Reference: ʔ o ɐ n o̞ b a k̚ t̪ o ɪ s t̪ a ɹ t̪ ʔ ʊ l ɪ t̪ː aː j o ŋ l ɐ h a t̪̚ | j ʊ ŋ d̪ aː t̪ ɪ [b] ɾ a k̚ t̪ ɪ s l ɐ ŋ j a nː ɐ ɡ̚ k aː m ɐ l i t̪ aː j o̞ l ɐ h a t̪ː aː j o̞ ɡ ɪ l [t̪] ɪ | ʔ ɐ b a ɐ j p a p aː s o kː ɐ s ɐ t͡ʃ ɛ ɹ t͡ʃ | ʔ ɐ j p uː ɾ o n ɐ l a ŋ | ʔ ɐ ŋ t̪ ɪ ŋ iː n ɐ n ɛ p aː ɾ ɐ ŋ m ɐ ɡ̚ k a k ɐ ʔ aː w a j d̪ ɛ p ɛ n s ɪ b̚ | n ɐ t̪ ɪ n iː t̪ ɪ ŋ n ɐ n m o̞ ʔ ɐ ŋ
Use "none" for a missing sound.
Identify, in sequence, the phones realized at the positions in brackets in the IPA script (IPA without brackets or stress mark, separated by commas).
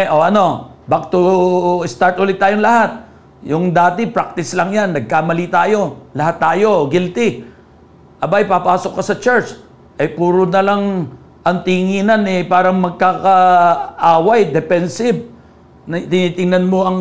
p, t̪